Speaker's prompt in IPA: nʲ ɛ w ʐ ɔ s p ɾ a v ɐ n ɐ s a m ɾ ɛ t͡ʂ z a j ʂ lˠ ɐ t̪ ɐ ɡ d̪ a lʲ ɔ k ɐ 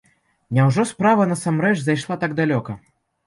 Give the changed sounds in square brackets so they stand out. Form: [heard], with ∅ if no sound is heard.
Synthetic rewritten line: nʲ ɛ w ʐ ɔ s p ɾ a v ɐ n ɐ s a m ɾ ɛ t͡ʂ z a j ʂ lˠ [a] t̪ [a] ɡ d̪ a lʲ ɔ k ɐ